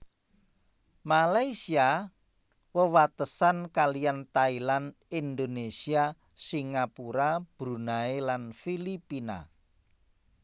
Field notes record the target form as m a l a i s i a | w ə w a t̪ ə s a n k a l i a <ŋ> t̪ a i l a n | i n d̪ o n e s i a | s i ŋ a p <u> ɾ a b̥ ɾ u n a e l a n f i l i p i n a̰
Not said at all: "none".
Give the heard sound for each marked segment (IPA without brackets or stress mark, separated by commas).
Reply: n, u